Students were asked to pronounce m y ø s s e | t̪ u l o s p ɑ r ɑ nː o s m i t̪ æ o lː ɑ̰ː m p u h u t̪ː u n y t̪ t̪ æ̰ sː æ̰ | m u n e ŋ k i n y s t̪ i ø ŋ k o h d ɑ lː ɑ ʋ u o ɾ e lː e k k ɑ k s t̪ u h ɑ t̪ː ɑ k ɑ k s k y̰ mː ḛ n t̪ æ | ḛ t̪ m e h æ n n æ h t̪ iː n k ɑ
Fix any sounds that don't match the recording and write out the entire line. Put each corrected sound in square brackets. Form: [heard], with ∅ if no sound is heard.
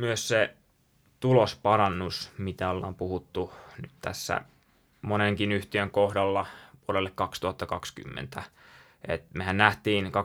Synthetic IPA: m y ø s s e | t̪ u l o s p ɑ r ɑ nː [u] s m i t̪ æ o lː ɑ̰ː m p u h u t̪ː u n y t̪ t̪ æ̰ sː æ̰ | m [o] n e ŋ k i n y [h] t̪ i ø ŋ k o h d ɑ lː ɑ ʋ u o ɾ e lː e k k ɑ k s t̪ u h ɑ t̪ː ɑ k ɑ k s k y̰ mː ḛ n t̪ æ | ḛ t̪ m e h æ n n æ h t̪ iː n k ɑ